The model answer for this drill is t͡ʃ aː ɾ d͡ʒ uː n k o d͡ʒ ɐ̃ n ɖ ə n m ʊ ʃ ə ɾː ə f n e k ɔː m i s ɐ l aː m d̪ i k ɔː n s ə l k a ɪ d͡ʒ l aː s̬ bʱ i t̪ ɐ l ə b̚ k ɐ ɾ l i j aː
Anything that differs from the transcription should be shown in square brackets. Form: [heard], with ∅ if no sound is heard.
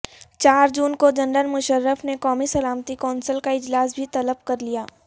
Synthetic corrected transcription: t͡ʃ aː ɾ d͡ʒ uː n k o d͡ʒ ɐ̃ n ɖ ə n m ʊ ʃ ə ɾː ə f n e k ɔː m i s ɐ l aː m [t̪] i k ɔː n s ə l k a ɪ d͡ʒ l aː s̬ bʱ i t̪ ɐ l ə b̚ k ɐ ɾ l i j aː